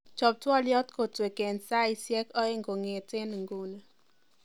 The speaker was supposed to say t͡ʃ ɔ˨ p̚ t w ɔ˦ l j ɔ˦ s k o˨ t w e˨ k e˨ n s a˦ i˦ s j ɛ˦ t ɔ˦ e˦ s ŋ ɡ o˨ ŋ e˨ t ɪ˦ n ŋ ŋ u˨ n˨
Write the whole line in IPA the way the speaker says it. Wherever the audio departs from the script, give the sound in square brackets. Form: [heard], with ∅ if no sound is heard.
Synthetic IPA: t͡ʃ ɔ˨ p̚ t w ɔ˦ l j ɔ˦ [t] k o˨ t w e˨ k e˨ n s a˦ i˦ s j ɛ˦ [k] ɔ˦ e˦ [∅] ŋ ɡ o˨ ŋ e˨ t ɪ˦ n ŋ [ɡ] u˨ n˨